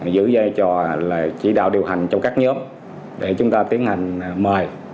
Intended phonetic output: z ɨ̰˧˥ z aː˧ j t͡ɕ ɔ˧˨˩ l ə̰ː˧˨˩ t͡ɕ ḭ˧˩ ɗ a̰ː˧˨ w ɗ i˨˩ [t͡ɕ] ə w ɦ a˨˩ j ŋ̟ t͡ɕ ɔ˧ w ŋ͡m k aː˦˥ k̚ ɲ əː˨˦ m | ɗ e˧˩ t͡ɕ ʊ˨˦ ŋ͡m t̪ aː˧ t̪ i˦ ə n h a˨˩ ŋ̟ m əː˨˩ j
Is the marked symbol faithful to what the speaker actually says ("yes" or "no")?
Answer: no